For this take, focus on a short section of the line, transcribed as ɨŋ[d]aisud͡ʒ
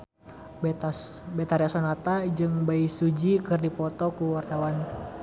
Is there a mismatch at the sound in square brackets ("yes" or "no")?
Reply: yes